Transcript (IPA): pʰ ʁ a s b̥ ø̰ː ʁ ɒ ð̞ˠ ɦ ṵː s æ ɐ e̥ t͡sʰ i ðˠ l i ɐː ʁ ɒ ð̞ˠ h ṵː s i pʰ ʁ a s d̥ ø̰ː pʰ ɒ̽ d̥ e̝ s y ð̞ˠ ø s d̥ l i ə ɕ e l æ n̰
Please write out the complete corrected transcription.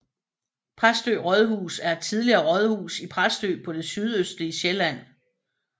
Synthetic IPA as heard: pʰ ʁ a s d̥ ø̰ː ʁ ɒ ð̞ˠ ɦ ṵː s æ ɐ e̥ t͡sʰ i ðˠ l i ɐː ʁ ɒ ð̞ˠ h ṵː s i pʰ ʁ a s d̥ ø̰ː pʰ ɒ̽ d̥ e̝ s y ð̞ˠ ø s d̥ l i ə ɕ e l æ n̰